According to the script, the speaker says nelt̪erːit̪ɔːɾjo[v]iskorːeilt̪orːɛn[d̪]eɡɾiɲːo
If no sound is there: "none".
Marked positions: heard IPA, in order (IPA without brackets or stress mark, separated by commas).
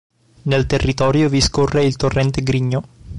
v, t̪